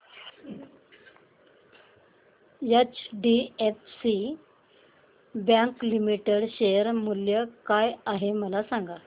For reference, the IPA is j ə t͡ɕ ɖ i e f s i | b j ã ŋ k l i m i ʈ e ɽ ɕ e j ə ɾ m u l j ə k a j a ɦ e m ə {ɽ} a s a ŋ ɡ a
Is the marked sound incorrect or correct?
incorrect